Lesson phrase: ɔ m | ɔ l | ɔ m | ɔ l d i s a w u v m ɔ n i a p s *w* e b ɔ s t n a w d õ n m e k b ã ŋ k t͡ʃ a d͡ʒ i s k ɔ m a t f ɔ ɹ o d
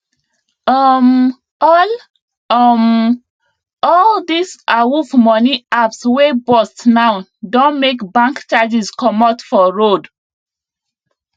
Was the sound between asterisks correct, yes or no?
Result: yes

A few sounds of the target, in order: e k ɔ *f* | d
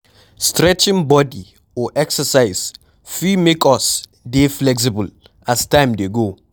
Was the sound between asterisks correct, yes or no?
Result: no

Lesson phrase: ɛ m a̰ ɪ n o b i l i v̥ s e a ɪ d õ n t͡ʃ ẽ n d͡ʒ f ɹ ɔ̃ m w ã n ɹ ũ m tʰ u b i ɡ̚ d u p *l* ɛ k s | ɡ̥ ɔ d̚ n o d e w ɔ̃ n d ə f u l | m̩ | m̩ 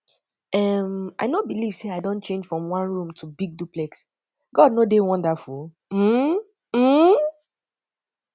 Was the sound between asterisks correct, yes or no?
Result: yes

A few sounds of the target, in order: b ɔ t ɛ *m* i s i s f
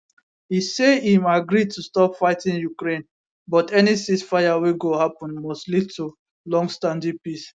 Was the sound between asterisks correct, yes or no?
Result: no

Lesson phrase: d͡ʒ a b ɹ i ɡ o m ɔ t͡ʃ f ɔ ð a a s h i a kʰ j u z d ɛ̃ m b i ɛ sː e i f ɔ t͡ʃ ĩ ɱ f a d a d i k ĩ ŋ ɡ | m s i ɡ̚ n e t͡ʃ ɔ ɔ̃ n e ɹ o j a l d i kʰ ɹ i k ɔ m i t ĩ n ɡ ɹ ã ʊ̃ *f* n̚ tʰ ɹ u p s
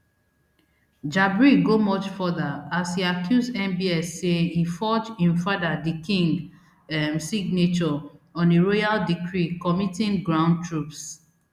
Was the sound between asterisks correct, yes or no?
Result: no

